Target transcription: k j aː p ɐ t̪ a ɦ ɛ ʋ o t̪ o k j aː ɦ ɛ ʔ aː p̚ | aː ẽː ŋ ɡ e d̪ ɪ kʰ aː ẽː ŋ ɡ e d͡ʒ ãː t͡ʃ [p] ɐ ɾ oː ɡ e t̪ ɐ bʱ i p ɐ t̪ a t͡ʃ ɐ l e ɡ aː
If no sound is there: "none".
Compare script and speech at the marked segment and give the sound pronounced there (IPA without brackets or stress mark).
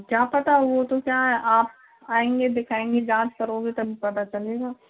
k